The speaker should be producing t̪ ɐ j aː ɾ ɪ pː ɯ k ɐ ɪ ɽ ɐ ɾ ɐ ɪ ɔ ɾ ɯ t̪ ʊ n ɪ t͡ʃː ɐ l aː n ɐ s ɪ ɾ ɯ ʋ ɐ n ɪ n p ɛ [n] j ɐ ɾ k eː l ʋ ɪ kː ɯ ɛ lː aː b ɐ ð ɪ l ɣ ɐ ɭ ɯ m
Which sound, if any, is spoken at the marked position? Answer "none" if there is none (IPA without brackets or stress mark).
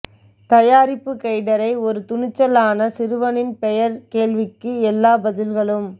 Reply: none